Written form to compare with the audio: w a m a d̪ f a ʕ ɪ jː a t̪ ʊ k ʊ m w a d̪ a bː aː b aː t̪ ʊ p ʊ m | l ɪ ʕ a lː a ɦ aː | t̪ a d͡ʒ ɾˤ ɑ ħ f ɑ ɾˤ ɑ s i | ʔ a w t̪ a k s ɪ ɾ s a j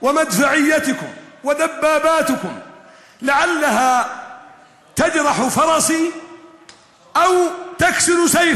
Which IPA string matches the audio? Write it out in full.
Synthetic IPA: w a m a d̪ f a ʕ ɪ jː a t̪ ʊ k ʊ m w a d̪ a bː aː b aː t̪ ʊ k ʊ m | l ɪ ʕ a lː a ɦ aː | t̪ a d͡ʒ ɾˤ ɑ ħ f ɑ ɾˤ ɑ s i | ʔ a w t̪ a k s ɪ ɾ s a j